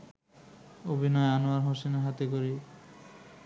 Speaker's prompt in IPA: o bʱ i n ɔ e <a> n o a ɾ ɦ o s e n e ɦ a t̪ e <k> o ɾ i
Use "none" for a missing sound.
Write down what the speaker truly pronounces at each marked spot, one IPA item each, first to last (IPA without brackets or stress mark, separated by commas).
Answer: a, k